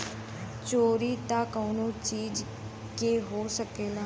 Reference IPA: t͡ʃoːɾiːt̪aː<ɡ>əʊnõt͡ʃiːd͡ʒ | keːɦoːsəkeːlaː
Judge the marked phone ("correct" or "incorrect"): incorrect